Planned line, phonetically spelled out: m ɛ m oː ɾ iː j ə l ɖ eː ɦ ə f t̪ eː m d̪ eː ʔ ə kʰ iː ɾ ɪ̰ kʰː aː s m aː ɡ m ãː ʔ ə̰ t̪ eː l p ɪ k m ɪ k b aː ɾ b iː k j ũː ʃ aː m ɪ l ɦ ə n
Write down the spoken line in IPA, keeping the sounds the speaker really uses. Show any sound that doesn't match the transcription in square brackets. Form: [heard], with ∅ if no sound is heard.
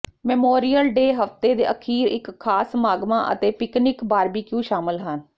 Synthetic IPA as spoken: m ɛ m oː ɾ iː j ə l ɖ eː ɦ ə f t̪ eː [∅] d̪ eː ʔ ə kʰ iː ɾ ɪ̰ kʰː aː s m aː ɡ m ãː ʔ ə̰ t̪ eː [∅] p ɪ k [n] ɪ k b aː ɾ b iː k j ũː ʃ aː m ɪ l ɦ ə n

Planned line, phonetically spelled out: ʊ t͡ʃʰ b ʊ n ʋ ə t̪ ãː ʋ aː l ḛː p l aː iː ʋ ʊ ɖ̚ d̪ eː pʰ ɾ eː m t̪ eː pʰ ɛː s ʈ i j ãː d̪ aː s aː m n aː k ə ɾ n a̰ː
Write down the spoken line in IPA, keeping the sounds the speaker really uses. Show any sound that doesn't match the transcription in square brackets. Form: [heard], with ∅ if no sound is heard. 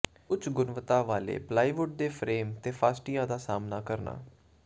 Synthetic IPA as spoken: ʊ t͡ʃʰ [ɡ] ʊ n ʋ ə t̪ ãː ʋ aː l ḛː p l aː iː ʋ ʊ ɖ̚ d̪ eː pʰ ɾ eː m t̪ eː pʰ [aː] s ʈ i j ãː d̪ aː s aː m n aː k ə ɾ n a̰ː

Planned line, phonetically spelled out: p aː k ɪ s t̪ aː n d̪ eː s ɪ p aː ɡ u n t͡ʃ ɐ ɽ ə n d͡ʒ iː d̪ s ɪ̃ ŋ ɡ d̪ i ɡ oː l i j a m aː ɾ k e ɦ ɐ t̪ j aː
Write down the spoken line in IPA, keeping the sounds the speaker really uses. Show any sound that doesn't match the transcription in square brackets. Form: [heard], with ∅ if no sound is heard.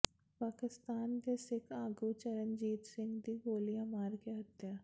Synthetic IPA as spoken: p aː k ɪ s t̪ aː n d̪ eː s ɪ [k] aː ɡ u [∅] t͡ʃ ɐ [ɾ] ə n d͡ʒ iː [t̪] s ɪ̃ ŋ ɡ d̪ i ɡ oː l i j a m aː ɾ k e ɦ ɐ t̪ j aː

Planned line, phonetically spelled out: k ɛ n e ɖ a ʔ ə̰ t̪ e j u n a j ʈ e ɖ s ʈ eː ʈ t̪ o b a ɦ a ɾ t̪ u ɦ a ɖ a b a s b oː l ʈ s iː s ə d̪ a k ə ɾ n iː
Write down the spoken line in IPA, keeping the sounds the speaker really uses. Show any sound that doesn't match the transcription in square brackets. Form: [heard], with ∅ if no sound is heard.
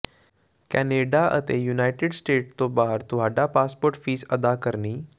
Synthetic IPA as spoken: k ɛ n e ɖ a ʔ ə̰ t̪ e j u n a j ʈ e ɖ s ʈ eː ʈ t̪ o b a ɦ [ə] ɾ t̪ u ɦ a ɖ a [p] a s [p] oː [ɾ] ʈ [f] iː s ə d̪ a k ə ɾ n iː

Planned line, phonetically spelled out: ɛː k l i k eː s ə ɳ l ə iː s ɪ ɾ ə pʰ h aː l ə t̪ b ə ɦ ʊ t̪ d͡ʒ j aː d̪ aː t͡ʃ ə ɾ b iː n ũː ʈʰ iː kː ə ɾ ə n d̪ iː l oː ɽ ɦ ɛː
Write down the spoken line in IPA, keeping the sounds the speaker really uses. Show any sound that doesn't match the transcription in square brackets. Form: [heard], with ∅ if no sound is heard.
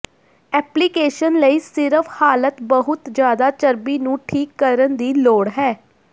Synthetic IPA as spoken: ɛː [p] l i k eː [ʃ] ə [n] l ə iː s ɪ ɾ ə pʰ h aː l ə t̪ b ə ɦ ʊ t̪ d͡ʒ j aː d̪ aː t͡ʃ ə ɾ b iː n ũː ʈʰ iː kː ə ɾ ə n d̪ iː l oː ɽ ɦ ɛː

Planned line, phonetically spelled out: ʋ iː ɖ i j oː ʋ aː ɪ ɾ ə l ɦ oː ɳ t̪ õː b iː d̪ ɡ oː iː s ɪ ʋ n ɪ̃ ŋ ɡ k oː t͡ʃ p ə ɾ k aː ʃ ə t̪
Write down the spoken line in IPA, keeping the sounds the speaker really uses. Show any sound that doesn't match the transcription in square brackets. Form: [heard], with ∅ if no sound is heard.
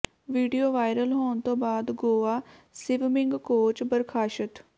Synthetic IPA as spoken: ʋ iː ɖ i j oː ʋ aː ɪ ɾ ə l ɦ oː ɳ t̪ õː b [aː] d̪ ɡ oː [aː] s ɪ ʋ [m] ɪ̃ ŋ ɡ k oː t͡ʃ [b] ə ɾ [kʰ] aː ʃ ə t̪

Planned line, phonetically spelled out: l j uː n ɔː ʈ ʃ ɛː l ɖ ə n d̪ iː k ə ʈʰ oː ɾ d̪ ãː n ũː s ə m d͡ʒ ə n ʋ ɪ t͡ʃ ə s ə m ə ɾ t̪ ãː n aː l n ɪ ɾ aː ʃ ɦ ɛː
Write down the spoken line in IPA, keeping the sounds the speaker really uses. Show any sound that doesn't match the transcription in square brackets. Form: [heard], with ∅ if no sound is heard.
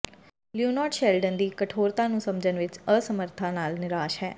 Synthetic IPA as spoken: l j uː n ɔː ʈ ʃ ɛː l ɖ ə n d̪ iː k ə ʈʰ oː ɾ [t̪] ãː n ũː s ə m d͡ʒ ə n ʋ ɪ t͡ʃ ə s ə m ə ɾ [t̪ʰ] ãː n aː l n ɪ ɾ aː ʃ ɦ ɛː

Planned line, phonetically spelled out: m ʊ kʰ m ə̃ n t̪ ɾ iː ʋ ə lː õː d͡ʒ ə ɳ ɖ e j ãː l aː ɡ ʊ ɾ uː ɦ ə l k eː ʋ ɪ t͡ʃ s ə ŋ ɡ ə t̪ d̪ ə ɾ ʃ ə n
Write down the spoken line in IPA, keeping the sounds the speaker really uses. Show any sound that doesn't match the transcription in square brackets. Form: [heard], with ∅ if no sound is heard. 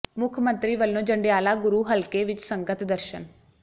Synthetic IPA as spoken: m ʊ kʰ m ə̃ n t̪ ɾ iː ʋ ə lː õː d͡ʒ ə ɳ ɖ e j [aː] l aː ɡ ʊ ɾ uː ɦ ə l k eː ʋ ɪ t͡ʃ s ə ŋ ɡ ə t̪ d̪ ə ɾ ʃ ə n

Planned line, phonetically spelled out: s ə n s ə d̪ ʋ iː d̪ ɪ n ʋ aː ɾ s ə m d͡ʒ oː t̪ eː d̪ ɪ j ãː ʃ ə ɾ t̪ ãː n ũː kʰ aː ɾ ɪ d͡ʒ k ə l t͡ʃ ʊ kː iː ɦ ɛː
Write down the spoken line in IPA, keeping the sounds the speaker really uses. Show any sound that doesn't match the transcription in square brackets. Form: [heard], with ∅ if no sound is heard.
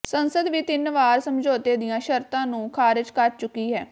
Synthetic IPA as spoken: s ə n s ə d̪ ʋ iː [t̪] ɪ n ʋ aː ɾ s ə m d͡ʒ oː t̪ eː d̪ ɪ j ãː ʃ ə ɾ t̪ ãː n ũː kʰ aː ɾ ɪ d͡ʒ k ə [ɾ] t͡ʃ ʊ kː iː ɦ ɛː

